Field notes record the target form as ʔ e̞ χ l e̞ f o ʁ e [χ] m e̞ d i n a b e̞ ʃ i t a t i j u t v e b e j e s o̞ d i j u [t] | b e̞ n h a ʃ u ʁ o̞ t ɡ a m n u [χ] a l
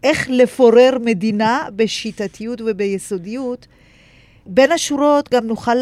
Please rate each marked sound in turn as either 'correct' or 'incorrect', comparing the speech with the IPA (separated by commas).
incorrect, correct, correct